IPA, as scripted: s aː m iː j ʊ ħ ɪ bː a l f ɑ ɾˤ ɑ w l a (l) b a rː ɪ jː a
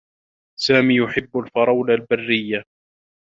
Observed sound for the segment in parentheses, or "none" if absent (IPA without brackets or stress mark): l